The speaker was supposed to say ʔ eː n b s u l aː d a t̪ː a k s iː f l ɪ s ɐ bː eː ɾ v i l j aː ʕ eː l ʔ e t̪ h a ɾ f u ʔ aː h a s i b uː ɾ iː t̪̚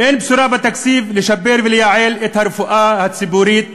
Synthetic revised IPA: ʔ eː n b s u ɾ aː b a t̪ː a k s iː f l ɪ ʃ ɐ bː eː ɾ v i l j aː ʕ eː l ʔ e t̪ h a ɾ f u ʔ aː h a s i b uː ɾ iː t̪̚